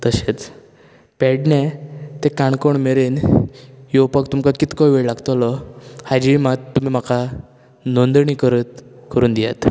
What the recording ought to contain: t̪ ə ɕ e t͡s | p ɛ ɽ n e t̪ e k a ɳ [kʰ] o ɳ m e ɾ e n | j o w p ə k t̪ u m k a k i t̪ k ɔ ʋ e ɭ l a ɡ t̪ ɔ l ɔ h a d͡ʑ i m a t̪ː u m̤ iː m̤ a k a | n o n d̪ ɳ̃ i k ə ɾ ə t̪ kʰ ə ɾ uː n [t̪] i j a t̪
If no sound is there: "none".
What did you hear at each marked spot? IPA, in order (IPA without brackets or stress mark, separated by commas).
k, d̪